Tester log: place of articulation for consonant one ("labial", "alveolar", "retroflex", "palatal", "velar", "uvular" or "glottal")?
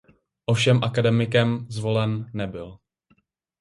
glottal